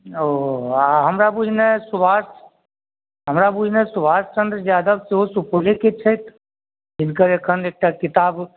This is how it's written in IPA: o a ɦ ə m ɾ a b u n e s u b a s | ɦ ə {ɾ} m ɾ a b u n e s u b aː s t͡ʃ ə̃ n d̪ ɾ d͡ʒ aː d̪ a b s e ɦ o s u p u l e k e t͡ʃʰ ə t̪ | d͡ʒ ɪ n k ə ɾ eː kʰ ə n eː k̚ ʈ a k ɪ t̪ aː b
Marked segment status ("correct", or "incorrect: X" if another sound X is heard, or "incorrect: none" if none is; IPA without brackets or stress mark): incorrect: none